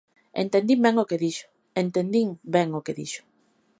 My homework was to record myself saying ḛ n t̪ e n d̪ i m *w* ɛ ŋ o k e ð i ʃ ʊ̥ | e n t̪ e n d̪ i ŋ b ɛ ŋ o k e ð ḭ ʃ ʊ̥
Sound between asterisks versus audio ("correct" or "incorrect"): incorrect